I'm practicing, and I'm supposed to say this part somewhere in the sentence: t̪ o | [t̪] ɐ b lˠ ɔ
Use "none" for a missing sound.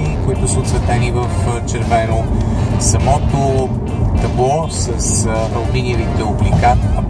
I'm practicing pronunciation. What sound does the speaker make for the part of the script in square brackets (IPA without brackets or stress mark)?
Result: t̪